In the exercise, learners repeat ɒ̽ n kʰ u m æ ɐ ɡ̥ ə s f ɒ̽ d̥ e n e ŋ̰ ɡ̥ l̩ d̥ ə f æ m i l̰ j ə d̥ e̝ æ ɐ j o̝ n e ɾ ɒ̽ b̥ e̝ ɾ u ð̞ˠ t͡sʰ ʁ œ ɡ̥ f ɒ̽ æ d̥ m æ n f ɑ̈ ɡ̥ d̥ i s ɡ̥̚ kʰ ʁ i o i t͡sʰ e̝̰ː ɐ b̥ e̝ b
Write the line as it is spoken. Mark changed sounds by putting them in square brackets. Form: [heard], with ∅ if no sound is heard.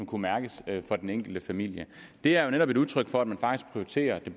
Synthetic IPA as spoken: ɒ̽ [m] kʰ u m æ ɐ ɡ̥ ə s f ɒ̽ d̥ e n e ŋ̰ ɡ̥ l̩ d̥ ə f æ m i l̰ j ə d̥ e̝ æ ɐ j o̝ n e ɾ ɒ̽ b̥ e̝ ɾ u ð̞ˠ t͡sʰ ʁ œ ɡ̥ f ɒ̽ æ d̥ m æ n f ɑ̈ ɡ̥ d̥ i s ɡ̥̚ [pʰ] ʁ i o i t͡sʰ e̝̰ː ɐ [d̥] e̝ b